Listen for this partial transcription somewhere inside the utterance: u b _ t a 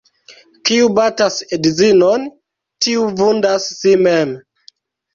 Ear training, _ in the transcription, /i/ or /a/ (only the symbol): a